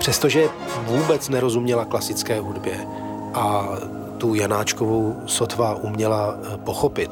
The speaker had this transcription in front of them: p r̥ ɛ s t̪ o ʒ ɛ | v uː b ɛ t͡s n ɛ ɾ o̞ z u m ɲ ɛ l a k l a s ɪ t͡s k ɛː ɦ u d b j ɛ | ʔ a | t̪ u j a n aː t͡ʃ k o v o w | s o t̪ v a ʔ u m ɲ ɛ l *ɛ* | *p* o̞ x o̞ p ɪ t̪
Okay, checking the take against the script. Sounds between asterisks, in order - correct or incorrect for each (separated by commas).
incorrect, correct